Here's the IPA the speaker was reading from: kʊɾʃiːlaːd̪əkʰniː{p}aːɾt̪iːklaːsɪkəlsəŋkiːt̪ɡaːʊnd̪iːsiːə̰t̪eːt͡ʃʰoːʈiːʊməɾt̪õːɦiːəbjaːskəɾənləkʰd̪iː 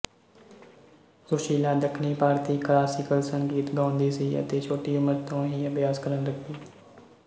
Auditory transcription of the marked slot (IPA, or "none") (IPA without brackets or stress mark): p